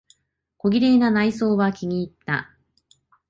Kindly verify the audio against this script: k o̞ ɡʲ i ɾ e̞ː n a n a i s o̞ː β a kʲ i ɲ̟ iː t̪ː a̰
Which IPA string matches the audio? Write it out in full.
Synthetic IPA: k o̞ ɡʲ i ɾ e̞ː n a n a i s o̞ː β a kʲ i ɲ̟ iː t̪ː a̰